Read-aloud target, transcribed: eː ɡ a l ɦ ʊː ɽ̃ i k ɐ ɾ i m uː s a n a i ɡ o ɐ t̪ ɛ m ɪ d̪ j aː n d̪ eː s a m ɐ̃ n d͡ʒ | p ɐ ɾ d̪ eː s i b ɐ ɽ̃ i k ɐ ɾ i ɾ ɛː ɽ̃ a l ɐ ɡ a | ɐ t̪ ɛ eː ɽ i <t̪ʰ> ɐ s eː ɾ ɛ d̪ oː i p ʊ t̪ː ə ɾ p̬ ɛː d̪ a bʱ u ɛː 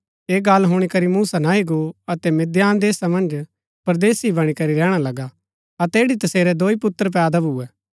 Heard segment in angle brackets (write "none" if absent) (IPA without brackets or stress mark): t̪